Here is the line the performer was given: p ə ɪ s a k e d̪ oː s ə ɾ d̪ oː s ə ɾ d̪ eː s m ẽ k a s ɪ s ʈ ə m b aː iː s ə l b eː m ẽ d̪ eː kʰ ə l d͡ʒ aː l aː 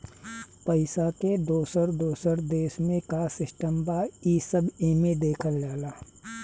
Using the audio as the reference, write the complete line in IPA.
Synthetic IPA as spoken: p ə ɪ s a k e d̪ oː s ə ɾ d̪ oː s ə ɾ d̪ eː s m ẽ k a s ɪ s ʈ ə m b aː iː s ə b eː m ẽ d̪ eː kʰ ə l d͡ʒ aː l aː